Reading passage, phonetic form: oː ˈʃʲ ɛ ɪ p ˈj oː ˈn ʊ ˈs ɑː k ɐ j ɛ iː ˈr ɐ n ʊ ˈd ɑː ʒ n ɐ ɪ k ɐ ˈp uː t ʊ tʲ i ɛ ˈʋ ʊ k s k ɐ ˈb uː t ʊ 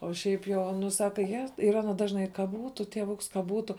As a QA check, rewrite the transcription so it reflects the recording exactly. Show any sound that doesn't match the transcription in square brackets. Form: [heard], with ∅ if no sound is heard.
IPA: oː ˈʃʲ ɛ ɪ p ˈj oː ˈn ʊ ˈs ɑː k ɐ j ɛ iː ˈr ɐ n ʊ ˈd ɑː ʒ n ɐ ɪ k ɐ [ˈb] uː t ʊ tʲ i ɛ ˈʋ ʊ k s k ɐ ˈb uː t ʊ